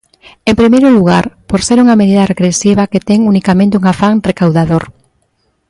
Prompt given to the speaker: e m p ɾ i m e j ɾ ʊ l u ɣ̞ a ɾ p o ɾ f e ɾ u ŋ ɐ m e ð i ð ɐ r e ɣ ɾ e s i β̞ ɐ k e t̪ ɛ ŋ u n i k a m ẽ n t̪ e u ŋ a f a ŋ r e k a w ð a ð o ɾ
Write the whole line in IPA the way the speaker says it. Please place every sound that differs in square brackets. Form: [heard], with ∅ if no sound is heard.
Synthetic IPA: e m p ɾ i m e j ɾ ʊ l u ɣ̞ a ɾ p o ɾ [s] e ɾ u ŋ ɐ m e ð i ð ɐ r e ɣ ɾ e s i β̞ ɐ k e t̪ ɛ ŋ u n i k a m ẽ n t̪ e u ŋ a f a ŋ r e k a w ð a ð o ɾ